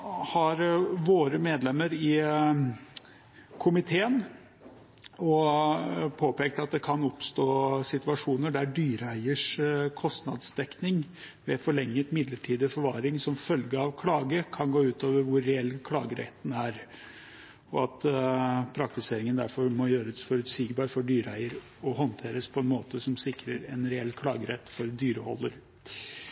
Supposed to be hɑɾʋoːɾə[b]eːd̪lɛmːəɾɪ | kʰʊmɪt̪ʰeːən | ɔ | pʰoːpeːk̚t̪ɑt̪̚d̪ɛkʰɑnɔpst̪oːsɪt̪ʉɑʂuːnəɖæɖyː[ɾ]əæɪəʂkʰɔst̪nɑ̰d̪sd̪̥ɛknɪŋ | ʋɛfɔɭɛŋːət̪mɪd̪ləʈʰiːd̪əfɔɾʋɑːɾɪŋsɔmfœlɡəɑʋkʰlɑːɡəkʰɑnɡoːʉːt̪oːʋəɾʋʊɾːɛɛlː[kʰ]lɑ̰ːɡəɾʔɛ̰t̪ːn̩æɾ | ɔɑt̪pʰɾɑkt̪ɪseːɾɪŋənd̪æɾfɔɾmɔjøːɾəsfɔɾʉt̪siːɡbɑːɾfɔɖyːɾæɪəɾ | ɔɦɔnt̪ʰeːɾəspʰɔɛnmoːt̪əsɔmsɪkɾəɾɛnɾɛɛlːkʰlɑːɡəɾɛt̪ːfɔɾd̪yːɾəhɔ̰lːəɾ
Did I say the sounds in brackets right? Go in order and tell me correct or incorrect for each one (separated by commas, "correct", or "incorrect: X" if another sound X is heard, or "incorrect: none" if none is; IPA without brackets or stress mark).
incorrect: m, correct, correct